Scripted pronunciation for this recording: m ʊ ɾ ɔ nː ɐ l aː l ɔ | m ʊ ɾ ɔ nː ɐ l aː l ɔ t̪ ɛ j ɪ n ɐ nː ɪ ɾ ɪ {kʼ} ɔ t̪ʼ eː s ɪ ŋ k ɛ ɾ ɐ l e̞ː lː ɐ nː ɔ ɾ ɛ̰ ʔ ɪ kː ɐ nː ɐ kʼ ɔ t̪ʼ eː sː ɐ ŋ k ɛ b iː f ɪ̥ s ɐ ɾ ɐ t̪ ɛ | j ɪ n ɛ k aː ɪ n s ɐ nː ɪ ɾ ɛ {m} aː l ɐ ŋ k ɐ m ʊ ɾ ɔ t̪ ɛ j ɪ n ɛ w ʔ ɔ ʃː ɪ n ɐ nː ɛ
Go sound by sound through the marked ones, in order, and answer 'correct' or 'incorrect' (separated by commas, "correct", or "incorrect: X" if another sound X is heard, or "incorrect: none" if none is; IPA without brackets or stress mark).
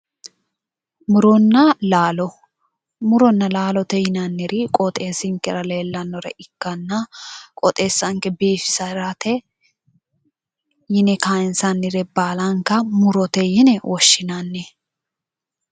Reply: correct, incorrect: b